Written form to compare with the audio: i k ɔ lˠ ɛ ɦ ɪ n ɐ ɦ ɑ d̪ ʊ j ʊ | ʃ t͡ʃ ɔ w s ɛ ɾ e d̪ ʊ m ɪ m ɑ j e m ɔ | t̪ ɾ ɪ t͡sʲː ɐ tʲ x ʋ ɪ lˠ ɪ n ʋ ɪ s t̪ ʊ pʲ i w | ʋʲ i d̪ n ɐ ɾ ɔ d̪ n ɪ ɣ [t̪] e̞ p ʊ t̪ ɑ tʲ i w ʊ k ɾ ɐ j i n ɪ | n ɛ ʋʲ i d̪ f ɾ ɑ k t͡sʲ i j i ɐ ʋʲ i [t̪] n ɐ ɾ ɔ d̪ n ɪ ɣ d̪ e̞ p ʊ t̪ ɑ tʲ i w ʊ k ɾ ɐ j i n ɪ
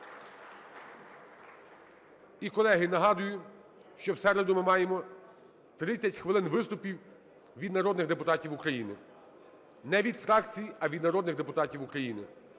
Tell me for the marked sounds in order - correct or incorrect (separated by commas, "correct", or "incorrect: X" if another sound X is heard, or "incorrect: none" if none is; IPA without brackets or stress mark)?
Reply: incorrect: d̪, incorrect: d̪